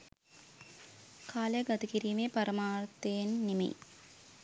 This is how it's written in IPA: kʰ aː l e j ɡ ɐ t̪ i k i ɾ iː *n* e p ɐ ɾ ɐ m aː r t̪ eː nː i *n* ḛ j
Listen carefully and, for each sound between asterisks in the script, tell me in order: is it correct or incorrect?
incorrect, incorrect

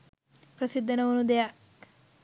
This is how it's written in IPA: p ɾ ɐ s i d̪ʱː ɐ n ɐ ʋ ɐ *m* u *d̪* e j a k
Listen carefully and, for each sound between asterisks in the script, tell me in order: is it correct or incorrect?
incorrect, correct

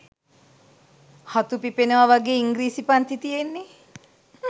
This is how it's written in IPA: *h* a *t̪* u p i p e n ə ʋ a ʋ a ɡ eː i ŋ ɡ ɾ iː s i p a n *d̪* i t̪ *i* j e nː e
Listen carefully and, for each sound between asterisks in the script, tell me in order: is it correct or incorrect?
correct, correct, incorrect, correct

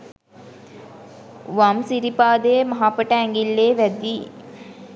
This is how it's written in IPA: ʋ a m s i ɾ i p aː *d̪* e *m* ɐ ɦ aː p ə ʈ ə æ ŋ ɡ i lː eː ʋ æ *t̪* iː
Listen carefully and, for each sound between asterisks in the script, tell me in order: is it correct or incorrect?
correct, correct, incorrect

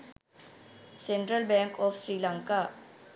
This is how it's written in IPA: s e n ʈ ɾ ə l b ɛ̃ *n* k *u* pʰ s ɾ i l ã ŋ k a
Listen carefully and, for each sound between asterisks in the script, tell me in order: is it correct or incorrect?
incorrect, incorrect

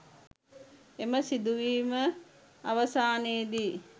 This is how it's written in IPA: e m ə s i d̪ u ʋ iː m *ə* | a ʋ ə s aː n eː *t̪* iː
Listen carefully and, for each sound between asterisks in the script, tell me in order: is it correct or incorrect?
correct, incorrect

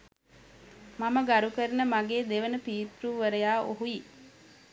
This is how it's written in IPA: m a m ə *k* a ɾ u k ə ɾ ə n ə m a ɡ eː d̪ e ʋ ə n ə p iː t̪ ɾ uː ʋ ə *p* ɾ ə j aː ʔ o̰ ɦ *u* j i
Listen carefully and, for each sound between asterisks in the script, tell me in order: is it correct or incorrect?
incorrect, incorrect, correct

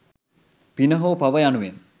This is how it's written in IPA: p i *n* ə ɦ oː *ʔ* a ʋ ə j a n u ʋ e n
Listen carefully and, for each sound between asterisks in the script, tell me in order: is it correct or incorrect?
correct, incorrect

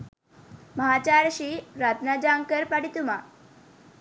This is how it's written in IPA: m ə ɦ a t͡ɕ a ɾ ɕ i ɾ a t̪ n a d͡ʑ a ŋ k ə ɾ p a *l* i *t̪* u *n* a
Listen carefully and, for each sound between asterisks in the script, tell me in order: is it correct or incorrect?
incorrect, correct, incorrect

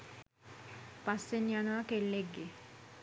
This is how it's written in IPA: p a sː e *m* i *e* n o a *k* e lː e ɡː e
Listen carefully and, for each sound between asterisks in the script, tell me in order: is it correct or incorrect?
incorrect, incorrect, correct

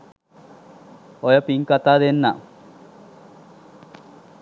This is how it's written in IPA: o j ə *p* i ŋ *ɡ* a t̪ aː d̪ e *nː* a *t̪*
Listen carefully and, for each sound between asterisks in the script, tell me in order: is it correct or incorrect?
correct, incorrect, correct, incorrect

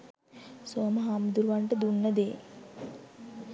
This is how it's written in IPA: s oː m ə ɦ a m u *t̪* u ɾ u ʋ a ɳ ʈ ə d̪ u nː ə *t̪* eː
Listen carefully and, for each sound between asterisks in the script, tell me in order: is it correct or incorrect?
incorrect, incorrect

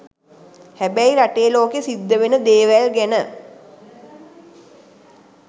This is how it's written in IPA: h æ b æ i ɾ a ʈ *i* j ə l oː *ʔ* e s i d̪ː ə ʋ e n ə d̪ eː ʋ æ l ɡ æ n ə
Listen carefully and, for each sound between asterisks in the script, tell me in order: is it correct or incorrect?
incorrect, incorrect

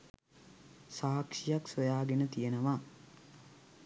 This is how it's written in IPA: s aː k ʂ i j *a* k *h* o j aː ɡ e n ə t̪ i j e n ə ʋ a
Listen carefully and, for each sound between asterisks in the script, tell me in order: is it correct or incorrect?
correct, incorrect

